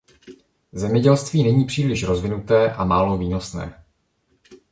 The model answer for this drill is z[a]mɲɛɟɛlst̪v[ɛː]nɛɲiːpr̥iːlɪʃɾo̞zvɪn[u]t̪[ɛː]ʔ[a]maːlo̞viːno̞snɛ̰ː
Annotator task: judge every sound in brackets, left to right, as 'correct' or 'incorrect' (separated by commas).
incorrect, incorrect, correct, correct, correct